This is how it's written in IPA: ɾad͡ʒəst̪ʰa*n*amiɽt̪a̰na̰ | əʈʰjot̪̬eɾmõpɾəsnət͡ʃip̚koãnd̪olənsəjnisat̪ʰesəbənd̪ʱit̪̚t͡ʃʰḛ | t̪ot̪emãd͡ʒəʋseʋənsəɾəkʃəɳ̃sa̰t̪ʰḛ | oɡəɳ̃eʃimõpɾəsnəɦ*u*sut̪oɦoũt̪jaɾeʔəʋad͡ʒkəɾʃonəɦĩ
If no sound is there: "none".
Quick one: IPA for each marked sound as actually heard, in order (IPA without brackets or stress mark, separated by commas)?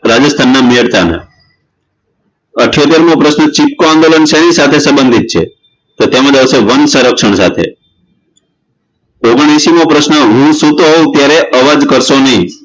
nː, ũ